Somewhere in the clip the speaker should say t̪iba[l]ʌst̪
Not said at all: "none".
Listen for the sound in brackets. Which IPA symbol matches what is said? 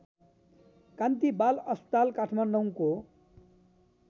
l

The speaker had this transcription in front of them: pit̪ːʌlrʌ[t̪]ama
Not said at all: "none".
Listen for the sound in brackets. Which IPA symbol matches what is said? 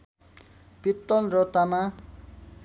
t̪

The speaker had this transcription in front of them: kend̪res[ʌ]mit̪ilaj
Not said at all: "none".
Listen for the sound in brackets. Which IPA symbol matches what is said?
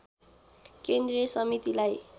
ʌ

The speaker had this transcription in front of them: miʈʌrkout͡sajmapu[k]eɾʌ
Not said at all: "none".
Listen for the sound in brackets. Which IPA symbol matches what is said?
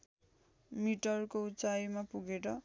ɡ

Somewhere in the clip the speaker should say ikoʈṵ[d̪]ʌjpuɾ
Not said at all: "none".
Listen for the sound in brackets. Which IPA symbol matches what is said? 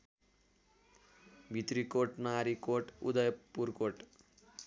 d̪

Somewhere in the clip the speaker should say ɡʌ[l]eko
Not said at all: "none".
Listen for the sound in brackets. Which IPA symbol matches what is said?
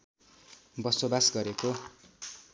ɾ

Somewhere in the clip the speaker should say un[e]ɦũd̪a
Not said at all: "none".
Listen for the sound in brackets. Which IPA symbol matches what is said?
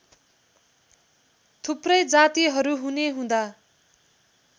e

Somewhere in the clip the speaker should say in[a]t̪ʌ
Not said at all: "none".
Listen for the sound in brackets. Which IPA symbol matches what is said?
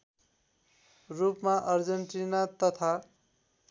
a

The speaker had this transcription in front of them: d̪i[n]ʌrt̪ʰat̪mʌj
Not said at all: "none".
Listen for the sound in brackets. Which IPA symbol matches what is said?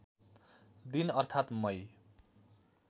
n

